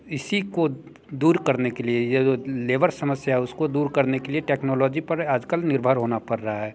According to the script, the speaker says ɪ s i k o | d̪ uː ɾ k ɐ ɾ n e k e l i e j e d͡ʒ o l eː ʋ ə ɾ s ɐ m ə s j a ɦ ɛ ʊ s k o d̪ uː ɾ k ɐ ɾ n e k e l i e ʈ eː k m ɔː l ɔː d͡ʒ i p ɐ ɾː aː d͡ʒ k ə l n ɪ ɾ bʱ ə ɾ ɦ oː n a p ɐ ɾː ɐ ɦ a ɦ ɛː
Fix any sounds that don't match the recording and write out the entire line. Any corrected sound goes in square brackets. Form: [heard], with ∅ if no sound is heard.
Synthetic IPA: ɪ s i k o | d̪ uː ɾ k ɐ ɾ n e k e l i e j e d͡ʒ o l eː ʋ ə ɾ s ɐ m ə s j a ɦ ɛ ʊ s k o d̪ uː ɾ k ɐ ɾ n e k e l i e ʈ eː k [n] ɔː l ɔː d͡ʒ i p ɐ [ɾ] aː d͡ʒ k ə l n ɪ ɾ bʱ ə ɾ ɦ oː n a p ɐ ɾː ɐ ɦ a ɦ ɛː

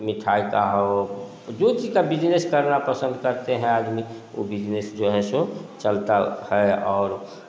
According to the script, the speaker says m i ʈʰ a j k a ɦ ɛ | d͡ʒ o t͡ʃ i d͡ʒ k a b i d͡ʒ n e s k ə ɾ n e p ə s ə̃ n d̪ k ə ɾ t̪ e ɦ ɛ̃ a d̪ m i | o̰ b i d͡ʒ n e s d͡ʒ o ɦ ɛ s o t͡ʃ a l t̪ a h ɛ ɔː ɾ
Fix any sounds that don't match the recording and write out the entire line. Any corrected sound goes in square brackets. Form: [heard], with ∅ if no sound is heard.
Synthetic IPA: m i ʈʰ a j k a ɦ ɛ | d͡ʒ o t͡ʃ i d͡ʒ k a b i d͡ʒ n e s k ə ɾ n [a] p ə s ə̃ n d̪ k ə ɾ t̪ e ɦ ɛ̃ a d̪ m i | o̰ b i d͡ʒ n e s d͡ʒ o ɦ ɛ s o t͡ʃ [ə] l t̪ a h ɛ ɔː ɾ

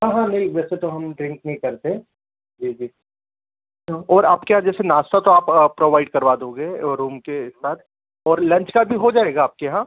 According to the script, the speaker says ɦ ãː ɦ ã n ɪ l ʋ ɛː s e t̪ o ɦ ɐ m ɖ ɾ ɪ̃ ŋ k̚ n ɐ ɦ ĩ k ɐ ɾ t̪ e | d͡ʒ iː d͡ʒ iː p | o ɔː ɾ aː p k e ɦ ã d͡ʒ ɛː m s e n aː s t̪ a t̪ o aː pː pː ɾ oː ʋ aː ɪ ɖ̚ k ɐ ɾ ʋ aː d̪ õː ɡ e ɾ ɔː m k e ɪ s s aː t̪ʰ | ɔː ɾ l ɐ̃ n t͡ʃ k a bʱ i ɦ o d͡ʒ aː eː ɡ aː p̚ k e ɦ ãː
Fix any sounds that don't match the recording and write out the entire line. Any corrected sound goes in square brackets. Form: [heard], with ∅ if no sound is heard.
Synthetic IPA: ɦ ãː ɦ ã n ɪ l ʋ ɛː s e t̪ o ɦ ɐ m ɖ ɾ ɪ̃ ŋ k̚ n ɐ ɦ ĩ k ɐ ɾ t̪ e | d͡ʒ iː d͡ʒ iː [∅] | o ɔː ɾ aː p k e ɦ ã d͡ʒ ɛː [∅] s e n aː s t̪ a t̪ o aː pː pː ɾ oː ʋ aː ɪ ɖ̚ k ɐ ɾ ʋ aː d̪ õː ɡ e ɾ [uː] m k e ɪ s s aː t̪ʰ | ɔː ɾ l ɐ̃ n t͡ʃ k a bʱ i ɦ o d͡ʒ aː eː ɡ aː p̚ k e ɦ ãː

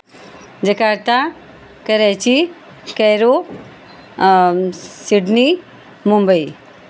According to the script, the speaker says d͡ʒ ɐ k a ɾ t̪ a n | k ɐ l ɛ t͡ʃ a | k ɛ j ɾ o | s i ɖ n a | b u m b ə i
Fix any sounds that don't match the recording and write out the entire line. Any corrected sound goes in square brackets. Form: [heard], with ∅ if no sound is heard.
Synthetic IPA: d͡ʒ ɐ k a ɾ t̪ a [∅] | k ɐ [ɾ] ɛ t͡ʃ [i] | k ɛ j ɾ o | s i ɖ n [i] | [m] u m b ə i

